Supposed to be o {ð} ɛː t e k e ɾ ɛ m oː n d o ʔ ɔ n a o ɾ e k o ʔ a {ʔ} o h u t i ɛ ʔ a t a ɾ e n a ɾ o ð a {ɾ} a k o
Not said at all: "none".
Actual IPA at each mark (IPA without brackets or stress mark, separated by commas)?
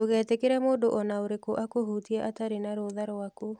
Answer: ɣ, k, ɾ